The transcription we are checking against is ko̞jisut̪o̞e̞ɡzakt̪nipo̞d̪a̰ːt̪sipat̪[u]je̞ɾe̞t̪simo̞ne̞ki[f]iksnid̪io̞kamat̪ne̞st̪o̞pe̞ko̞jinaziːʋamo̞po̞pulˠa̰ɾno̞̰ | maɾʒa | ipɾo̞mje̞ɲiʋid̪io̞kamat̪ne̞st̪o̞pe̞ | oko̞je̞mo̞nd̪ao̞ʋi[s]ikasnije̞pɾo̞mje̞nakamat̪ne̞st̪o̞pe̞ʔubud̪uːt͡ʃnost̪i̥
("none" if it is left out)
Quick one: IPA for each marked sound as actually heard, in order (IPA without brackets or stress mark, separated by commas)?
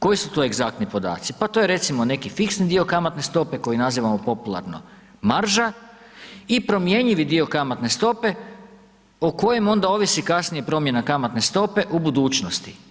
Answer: o, f, s